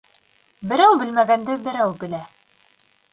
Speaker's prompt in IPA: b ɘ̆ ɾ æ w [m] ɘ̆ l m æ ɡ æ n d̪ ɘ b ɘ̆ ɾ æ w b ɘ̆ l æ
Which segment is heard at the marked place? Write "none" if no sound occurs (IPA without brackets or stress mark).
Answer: b